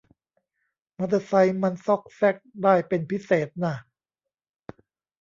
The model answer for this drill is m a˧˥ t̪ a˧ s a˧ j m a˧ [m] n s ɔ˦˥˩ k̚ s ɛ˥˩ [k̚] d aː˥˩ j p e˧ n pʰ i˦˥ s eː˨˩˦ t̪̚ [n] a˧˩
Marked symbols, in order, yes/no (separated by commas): no, yes, yes